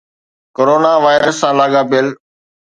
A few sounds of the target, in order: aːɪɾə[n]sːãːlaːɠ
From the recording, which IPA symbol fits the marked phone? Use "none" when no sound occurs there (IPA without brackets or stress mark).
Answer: none